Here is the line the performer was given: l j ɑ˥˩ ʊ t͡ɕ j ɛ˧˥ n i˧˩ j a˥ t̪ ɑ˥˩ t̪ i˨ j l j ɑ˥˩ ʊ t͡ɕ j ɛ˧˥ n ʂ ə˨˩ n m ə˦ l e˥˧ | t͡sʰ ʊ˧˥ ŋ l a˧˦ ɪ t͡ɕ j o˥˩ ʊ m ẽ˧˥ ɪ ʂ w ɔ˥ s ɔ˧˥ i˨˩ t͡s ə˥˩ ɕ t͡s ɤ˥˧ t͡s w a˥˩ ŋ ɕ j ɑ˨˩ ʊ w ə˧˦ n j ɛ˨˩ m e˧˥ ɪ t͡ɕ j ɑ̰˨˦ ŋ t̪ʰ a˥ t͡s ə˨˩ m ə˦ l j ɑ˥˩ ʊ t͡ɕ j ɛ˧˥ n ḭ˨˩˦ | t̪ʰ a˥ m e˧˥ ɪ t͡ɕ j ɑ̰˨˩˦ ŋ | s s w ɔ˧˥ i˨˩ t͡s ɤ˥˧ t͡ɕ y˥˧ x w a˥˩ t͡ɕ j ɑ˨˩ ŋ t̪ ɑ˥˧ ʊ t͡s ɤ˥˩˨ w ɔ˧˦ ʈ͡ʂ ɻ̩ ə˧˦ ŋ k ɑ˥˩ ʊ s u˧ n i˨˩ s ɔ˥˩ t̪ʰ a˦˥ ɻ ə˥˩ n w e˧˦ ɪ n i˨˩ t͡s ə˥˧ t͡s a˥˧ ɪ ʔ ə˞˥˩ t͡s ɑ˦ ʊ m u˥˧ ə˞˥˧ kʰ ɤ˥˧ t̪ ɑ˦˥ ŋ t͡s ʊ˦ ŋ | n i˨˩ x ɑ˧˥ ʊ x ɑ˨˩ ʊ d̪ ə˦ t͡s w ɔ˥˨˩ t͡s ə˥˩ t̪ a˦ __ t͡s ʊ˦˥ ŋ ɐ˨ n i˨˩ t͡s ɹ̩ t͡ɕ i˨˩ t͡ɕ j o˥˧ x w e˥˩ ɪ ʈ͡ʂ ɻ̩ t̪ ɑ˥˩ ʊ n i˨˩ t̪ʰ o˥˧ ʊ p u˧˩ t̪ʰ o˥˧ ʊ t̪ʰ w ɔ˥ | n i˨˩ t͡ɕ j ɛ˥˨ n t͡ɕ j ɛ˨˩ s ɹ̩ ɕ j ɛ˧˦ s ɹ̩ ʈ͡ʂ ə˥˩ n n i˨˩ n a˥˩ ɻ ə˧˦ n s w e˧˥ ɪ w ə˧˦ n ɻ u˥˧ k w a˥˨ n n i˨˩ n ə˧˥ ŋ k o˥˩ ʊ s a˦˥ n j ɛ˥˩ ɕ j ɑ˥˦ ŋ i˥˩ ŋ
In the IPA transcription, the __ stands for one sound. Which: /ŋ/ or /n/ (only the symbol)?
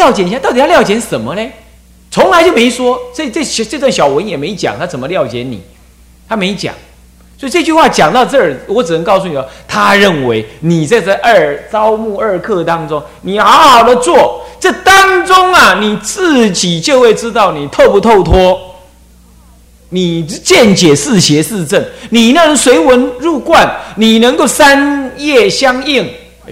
ŋ